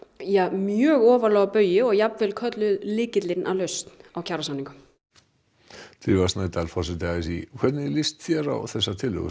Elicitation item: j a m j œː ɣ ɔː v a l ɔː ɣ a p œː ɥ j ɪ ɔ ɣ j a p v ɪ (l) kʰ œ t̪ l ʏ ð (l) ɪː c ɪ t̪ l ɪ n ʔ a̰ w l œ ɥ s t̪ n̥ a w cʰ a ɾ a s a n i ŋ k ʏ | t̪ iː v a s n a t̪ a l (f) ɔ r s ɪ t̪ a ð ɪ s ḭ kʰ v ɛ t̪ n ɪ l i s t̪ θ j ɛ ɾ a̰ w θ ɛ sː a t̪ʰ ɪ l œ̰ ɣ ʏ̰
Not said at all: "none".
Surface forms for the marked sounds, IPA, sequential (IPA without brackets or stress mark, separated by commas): l, l, f